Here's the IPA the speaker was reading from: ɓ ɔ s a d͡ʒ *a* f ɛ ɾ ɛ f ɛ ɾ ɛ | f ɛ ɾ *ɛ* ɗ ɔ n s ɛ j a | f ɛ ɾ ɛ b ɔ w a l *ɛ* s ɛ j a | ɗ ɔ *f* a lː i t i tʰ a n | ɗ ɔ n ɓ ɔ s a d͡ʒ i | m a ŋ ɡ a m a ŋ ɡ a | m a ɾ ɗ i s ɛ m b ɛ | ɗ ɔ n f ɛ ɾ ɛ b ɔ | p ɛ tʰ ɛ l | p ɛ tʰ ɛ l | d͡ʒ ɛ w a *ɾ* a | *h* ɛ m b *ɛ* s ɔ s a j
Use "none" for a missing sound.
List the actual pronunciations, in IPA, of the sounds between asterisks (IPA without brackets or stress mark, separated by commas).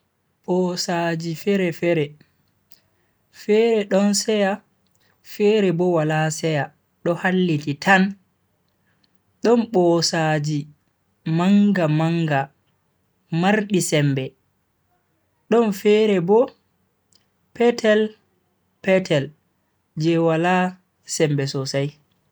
i, ɛ, a, h, l, s, ɛ